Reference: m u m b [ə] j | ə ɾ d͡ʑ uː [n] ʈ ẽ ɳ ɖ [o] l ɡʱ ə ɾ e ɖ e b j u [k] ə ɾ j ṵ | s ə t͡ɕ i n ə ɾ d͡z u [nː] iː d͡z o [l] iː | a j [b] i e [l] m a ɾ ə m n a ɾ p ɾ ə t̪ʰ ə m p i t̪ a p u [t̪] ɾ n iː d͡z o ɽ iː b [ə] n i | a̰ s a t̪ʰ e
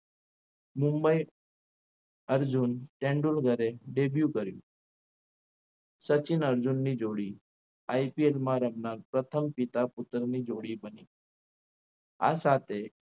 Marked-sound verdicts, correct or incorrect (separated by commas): correct, correct, incorrect, correct, correct, incorrect, incorrect, correct, correct, correct